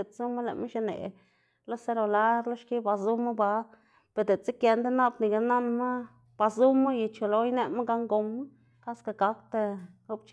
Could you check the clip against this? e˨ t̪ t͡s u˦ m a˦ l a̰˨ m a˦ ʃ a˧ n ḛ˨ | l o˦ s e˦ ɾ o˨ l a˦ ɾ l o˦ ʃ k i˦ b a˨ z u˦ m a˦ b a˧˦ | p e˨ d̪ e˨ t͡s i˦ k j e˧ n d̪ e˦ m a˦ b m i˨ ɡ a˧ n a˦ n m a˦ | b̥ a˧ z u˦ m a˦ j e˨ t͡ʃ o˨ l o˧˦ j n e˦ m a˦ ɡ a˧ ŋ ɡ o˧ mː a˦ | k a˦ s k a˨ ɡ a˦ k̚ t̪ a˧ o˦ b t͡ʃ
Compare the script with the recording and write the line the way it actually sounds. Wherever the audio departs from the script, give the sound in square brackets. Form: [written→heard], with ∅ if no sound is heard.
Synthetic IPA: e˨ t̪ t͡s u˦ m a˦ l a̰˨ m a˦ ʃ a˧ n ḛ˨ | l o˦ s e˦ ɾ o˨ l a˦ ɾ l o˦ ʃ k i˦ b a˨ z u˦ m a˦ b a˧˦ | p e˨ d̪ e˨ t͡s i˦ k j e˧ n d̪ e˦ [m→n] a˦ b [m→n] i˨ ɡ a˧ n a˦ n m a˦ | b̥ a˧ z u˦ m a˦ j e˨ t͡ʃ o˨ l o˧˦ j n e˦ m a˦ ɡ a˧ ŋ ɡ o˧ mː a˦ | k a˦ s k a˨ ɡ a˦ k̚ t̪ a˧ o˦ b t͡ʃ